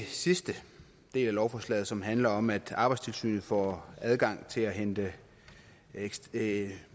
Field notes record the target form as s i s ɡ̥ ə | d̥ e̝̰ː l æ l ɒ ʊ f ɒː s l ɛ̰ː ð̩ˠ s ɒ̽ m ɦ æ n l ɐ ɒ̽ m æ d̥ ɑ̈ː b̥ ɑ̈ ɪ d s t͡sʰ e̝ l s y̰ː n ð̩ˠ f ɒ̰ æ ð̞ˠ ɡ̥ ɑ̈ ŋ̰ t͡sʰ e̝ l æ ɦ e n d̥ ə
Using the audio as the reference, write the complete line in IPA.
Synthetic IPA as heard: s i s d̥ ə | d̥ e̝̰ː l æ l ɒ ʊ f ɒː s l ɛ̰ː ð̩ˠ s ɒ̽ m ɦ æ n l ɐ ɒ̽ m æ d̥ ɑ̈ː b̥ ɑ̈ ɪ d s t͡sʰ e̝ l s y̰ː n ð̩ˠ f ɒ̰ æ ð̞ˠ ɡ̥ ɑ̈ ŋ̰ t͡sʰ e̝ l æ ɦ e n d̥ ə